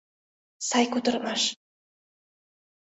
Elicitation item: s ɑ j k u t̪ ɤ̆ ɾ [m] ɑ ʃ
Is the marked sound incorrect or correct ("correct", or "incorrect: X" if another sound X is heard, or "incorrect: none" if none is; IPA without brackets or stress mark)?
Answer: correct